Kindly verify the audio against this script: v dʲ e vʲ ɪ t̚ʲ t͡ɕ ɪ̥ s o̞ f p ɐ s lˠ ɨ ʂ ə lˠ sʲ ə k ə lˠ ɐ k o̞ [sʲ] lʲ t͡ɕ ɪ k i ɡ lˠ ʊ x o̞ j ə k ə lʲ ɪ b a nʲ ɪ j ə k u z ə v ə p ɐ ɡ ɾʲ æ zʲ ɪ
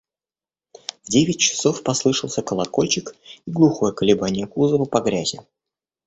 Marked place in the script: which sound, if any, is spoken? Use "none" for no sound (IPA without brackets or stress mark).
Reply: none